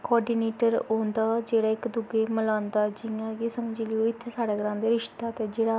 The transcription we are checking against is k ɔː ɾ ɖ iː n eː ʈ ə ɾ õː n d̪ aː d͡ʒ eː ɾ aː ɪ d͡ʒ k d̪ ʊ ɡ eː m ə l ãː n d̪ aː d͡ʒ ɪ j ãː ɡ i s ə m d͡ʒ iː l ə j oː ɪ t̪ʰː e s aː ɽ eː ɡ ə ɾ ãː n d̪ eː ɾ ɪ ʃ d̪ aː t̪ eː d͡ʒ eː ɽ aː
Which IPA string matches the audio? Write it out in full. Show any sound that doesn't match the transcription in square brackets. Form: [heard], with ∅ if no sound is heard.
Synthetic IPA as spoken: k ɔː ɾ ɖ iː n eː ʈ ə ɾ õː n d̪ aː d͡ʒ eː [ɽ] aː ɪ [∅] k d̪ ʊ ɡ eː m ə l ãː n d̪ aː d͡ʒ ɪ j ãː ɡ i s ə m d͡ʒ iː l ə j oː ɪ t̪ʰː e s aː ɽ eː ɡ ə ɾ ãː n d̪ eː ɾ ɪ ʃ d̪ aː t̪ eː d͡ʒ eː ɽ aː